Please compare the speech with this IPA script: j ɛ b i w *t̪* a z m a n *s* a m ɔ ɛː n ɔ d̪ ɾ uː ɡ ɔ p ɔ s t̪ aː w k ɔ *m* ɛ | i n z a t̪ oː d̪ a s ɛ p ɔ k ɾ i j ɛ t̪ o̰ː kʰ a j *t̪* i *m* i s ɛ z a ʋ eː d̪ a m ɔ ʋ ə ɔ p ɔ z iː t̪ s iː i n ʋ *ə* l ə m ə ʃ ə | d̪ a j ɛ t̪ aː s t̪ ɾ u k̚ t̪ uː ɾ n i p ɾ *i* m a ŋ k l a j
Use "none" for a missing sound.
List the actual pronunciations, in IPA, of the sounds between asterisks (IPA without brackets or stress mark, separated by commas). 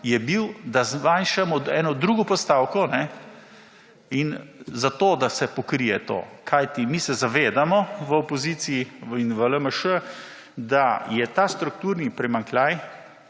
d̪, ʃ, n, t̪, m, ə, ɛ